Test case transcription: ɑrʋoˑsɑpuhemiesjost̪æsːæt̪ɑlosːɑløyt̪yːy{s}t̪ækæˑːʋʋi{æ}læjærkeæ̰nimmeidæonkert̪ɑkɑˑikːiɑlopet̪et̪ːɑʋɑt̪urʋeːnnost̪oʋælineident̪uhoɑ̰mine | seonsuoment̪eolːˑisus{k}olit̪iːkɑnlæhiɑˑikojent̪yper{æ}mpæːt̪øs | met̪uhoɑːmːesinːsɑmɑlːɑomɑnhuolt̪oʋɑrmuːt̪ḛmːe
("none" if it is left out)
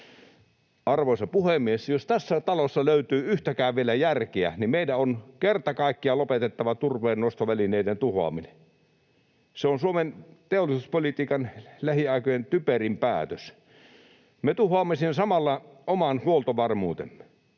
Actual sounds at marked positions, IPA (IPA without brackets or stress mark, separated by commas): h, e, p, i